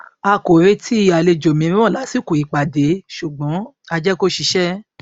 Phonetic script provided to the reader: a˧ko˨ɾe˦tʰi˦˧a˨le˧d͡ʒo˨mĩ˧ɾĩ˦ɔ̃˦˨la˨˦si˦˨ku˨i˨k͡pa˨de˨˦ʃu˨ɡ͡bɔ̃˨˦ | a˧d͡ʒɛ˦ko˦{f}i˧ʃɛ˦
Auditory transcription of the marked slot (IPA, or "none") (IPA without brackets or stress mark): ʃ